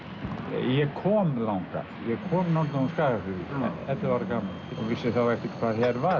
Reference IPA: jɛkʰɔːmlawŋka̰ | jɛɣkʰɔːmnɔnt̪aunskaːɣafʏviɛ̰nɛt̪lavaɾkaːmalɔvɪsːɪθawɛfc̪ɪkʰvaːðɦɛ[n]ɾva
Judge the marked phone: incorrect: none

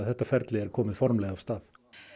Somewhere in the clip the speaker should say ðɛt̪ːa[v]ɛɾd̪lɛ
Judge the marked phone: incorrect: f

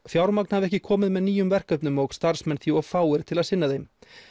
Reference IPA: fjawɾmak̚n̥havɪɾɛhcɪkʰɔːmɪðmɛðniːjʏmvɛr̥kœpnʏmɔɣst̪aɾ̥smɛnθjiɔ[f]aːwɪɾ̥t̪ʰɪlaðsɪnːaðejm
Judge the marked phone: correct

